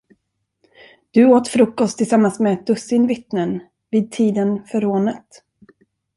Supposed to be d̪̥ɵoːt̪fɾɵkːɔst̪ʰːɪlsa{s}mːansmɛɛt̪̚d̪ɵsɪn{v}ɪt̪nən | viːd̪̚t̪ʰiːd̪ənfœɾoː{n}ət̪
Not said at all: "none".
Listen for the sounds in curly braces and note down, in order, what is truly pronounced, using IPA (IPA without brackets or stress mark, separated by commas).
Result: none, v, n